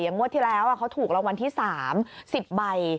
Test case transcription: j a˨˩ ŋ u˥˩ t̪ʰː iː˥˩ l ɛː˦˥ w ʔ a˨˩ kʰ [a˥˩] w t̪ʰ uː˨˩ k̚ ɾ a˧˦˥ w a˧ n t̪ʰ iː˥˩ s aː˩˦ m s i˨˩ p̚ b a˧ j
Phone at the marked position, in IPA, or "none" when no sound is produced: a˦˥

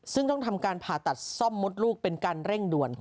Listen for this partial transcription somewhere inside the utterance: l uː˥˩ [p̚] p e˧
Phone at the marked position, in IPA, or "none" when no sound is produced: k̚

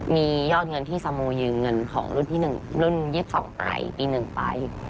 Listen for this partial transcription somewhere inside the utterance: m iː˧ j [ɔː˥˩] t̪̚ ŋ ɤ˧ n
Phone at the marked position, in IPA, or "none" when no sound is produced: ɔː˥˩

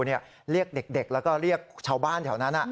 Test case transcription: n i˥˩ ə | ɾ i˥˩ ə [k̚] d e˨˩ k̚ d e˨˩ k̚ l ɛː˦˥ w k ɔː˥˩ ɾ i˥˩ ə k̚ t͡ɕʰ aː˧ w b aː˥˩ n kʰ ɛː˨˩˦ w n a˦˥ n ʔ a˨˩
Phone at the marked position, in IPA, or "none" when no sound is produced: k̚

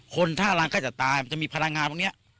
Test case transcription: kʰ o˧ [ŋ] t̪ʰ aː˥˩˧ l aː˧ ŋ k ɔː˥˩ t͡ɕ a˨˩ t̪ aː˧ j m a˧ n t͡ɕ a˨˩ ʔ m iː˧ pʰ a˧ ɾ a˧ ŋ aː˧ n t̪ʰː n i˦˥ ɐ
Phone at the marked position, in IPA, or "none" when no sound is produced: n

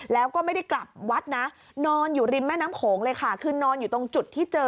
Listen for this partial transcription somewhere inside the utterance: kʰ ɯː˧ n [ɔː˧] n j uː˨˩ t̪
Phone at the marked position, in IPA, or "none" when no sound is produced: ɔː˧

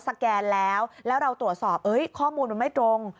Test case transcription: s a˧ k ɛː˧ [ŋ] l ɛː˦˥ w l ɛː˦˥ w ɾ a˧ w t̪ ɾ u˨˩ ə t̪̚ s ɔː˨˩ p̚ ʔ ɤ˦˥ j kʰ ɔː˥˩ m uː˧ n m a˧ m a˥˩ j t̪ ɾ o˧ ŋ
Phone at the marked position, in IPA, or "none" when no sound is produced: n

